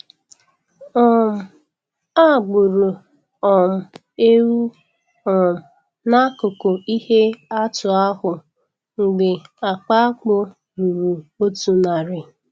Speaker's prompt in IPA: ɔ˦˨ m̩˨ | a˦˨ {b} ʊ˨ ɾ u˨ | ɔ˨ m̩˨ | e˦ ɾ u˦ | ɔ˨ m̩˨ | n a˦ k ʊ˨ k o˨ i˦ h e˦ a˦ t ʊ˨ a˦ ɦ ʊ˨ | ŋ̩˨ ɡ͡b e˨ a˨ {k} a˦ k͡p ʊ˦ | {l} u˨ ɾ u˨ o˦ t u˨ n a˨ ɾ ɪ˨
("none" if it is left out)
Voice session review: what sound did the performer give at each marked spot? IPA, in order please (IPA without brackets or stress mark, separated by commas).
ɡ͡b, k͡p, ɾ